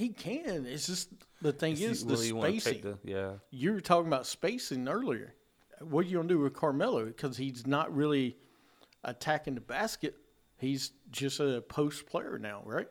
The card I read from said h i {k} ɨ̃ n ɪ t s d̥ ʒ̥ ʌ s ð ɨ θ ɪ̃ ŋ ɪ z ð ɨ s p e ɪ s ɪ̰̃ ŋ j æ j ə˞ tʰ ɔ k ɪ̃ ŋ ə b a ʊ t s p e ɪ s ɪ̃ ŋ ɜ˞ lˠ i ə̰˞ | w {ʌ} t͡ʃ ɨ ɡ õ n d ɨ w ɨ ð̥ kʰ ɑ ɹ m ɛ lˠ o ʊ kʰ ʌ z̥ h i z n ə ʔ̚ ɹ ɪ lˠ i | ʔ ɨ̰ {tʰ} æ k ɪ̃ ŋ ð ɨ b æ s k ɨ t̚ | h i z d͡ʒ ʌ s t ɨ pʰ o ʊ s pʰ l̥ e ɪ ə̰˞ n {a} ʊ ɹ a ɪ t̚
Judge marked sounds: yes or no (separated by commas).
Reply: no, yes, yes, yes